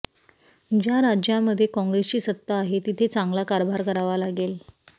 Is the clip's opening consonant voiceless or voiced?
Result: voiced